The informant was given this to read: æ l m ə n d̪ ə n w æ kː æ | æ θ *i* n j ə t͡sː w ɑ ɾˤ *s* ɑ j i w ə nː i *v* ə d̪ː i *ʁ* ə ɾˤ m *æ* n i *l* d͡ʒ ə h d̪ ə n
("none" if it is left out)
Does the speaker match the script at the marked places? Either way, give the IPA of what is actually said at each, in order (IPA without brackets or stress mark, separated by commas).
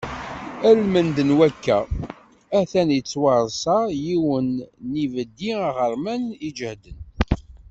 æ, s, v, ʁ, æ, none